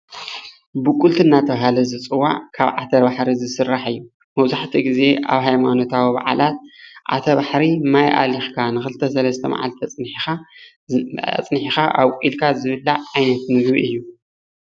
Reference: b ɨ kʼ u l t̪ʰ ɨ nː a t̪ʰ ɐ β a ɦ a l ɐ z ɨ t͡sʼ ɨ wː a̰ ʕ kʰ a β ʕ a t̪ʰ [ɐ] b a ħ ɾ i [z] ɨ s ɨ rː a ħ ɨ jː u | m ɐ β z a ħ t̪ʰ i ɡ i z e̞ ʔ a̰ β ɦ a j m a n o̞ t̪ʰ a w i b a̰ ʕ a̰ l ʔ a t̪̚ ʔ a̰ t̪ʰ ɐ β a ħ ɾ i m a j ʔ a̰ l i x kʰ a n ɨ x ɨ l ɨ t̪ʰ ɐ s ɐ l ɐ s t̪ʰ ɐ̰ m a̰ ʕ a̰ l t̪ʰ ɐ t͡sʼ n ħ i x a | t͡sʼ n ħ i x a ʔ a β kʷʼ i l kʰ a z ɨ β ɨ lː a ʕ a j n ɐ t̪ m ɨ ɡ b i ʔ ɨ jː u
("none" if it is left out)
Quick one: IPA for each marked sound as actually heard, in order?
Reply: ɐ, z

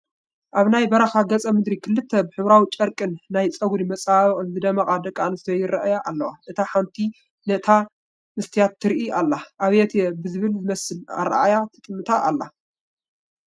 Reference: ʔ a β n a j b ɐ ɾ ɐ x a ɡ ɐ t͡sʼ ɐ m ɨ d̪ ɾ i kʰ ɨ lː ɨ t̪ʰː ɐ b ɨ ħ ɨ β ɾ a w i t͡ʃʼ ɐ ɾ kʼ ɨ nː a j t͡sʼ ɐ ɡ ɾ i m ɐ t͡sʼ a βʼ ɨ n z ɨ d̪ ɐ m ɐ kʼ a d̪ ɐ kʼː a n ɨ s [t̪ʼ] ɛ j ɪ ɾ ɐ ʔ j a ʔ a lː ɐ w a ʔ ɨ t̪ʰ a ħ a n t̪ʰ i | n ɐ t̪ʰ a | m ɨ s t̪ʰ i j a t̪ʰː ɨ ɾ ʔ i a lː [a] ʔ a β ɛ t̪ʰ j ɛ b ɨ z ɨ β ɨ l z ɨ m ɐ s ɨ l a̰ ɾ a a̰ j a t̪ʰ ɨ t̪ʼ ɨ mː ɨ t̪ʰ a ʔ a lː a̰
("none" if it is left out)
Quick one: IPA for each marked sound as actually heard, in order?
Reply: t̪, a

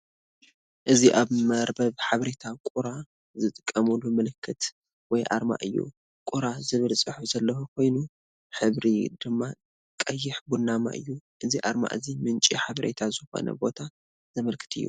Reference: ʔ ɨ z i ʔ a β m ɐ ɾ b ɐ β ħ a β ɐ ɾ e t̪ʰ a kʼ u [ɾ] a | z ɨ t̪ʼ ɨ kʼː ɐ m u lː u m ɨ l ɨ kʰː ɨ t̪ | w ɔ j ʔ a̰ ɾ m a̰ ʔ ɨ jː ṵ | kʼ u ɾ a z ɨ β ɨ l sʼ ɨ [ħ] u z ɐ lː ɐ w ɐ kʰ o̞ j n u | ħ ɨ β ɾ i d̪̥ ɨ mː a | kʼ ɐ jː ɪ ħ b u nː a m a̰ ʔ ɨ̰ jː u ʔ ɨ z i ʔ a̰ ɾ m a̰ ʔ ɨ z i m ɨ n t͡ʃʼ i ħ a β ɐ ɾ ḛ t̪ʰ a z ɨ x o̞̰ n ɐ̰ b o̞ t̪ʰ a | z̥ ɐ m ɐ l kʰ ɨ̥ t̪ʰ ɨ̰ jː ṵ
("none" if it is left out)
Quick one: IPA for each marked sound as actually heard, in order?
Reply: ɾ, ħ

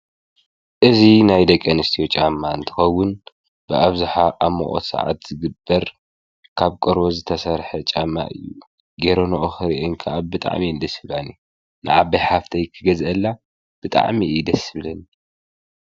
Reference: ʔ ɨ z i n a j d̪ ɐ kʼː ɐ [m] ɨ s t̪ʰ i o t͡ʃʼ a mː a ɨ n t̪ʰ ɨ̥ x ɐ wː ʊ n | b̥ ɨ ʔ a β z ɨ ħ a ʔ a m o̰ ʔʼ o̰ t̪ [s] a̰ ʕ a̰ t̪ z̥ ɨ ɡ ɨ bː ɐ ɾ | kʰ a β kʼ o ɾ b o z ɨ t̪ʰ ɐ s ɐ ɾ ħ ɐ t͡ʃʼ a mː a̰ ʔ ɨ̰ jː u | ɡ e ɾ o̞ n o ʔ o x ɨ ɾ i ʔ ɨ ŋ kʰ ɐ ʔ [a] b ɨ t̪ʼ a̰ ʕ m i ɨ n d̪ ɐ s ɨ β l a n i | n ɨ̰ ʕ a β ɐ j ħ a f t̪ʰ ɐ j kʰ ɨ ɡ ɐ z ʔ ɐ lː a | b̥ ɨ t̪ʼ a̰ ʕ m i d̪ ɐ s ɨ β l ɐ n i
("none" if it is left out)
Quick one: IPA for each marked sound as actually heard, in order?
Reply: n, s, a

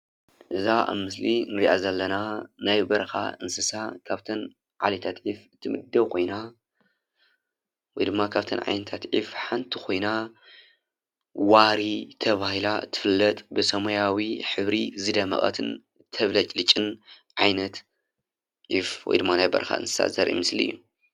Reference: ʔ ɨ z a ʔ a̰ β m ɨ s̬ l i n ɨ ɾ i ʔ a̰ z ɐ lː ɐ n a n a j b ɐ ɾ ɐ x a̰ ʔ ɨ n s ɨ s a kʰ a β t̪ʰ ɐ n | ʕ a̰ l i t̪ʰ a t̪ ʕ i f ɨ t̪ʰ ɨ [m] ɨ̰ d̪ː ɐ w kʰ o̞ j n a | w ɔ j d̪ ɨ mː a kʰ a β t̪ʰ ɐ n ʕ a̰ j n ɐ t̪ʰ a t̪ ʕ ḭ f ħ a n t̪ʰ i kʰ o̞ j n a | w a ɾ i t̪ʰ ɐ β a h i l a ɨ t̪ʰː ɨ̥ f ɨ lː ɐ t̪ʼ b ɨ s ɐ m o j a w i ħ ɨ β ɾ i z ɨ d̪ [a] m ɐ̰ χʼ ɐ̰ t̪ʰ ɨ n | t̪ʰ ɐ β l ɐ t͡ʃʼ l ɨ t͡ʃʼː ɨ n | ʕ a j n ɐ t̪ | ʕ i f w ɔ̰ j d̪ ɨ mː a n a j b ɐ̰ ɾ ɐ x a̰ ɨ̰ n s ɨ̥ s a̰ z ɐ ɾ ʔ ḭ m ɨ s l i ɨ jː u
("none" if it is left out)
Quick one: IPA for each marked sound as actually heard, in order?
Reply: m, ɐ

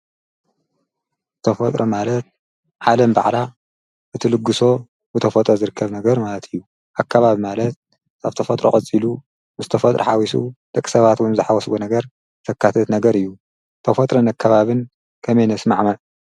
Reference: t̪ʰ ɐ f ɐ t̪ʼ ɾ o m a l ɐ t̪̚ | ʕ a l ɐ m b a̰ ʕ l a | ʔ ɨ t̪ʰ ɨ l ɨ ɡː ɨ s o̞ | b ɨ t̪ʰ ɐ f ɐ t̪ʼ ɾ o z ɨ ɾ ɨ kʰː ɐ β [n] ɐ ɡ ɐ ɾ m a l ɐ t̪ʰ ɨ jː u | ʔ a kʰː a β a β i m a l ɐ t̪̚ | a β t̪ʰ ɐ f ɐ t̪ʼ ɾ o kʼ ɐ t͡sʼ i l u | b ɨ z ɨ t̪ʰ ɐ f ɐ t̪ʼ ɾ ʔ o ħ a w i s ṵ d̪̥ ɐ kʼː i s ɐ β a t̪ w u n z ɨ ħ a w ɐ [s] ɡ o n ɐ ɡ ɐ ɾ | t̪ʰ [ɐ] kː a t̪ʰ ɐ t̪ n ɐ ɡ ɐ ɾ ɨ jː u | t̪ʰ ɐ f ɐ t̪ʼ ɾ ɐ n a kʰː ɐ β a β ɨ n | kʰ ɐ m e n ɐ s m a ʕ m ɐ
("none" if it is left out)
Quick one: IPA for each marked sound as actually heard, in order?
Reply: n, s, ɐ

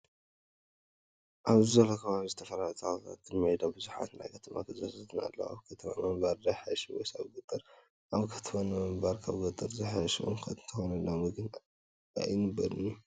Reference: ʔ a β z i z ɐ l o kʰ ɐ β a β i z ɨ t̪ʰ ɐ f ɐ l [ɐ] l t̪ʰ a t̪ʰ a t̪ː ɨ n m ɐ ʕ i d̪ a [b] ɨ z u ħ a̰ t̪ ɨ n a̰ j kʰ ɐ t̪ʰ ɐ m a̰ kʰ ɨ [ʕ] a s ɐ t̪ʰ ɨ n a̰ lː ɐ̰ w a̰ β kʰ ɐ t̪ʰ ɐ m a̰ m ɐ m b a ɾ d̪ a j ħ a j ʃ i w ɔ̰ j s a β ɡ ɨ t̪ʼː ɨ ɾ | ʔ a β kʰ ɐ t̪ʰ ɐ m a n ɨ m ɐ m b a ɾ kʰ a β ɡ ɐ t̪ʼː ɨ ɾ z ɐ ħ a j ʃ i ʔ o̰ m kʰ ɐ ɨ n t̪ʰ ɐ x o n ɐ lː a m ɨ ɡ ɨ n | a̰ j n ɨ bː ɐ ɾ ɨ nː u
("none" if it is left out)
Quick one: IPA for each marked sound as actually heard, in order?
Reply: a, b, z

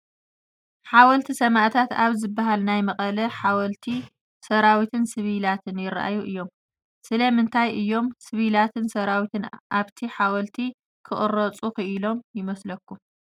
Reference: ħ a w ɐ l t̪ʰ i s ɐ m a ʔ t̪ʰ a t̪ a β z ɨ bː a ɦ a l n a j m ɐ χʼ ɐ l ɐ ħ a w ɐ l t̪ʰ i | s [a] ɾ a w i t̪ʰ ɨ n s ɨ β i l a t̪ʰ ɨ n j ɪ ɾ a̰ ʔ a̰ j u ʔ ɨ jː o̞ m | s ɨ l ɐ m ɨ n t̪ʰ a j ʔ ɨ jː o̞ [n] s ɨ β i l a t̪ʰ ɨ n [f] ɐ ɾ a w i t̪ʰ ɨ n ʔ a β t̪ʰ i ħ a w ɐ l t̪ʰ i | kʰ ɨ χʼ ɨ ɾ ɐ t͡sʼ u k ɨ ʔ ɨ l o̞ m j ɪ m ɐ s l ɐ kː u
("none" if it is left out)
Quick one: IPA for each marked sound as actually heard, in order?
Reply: ɐ, m, s

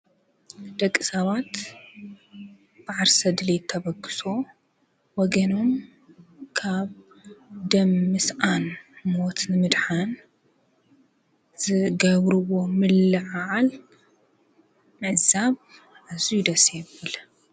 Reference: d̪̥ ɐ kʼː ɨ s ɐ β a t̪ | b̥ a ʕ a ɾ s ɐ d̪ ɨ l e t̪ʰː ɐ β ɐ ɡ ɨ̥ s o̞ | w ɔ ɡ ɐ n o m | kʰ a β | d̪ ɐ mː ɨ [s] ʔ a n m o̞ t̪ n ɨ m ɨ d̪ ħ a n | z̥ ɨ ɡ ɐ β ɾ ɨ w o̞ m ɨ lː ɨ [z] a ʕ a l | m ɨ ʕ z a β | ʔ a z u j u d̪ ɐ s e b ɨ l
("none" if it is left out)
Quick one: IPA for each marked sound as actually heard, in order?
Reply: s, ʕ

